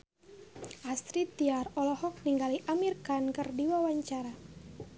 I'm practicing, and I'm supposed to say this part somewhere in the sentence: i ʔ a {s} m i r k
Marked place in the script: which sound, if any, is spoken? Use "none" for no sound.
none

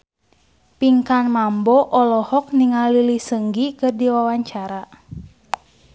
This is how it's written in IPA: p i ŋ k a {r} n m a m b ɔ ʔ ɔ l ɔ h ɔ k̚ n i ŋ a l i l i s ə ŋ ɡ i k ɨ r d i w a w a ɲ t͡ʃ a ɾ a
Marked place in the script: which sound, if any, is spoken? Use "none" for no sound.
none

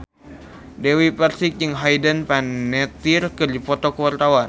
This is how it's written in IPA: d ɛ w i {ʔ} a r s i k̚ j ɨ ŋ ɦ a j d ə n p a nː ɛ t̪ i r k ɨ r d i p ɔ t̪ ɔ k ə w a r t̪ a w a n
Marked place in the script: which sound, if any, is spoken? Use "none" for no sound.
p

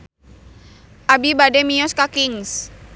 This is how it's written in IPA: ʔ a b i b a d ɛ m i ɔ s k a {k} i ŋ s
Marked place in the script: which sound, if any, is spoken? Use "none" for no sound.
k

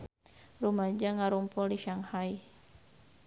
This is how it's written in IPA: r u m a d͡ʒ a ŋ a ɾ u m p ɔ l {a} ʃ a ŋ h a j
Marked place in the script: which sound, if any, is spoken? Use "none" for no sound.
i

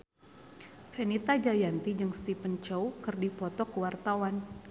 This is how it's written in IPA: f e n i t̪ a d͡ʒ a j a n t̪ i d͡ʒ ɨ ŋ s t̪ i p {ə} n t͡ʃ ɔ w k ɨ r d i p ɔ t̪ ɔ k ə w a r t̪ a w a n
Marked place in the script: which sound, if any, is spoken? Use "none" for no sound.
ə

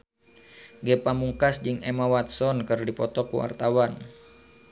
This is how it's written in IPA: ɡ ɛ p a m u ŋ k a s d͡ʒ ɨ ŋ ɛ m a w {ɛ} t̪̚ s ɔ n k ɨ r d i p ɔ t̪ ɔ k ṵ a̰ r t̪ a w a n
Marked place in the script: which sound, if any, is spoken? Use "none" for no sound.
a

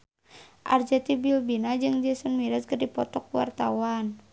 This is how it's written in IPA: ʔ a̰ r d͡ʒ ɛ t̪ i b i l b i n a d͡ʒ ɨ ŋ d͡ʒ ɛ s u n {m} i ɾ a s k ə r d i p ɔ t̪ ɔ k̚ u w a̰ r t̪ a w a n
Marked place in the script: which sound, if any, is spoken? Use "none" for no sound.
m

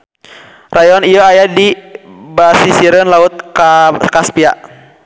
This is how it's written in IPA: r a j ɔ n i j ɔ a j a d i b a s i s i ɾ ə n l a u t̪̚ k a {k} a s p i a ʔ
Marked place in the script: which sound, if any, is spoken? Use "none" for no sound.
k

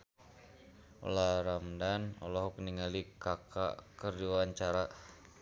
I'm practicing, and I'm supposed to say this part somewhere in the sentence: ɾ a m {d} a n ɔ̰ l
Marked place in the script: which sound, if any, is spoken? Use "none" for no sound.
d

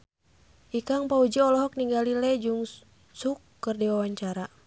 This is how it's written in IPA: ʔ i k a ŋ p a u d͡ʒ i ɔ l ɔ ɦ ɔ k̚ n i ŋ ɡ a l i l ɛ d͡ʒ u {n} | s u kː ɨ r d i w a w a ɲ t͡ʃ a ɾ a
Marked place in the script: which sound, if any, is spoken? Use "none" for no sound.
ŋ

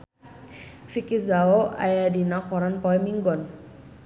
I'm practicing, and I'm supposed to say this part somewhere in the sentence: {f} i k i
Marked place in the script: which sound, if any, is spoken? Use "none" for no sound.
f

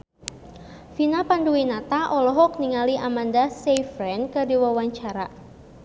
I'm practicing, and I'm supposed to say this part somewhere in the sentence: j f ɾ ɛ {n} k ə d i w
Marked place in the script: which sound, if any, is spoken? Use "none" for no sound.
n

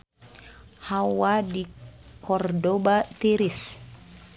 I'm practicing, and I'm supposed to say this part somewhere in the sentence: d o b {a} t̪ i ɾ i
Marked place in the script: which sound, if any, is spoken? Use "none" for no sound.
a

